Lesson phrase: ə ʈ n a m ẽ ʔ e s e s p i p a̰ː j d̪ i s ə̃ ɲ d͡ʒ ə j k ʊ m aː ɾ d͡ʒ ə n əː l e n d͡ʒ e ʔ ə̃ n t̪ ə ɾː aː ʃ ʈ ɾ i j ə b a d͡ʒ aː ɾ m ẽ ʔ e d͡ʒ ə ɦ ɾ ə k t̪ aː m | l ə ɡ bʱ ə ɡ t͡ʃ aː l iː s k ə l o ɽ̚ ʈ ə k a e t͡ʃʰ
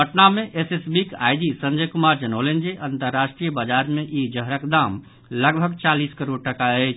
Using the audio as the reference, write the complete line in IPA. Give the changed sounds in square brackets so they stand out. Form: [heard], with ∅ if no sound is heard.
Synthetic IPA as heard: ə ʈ n a m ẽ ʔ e s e s [b] i [k] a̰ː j d̪ i s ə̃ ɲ d͡ʒ ə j k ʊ m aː ɾ d͡ʒ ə n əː l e n d͡ʒ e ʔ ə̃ n t̪ ə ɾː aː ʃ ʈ ɾ i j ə b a d͡ʒ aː ɾ m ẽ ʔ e d͡ʒ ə ɦ ɾ ə k [d̪] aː m | l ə ɡ bʱ ə ɡ t͡ʃ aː l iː s k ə [ɾ] o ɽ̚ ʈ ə k a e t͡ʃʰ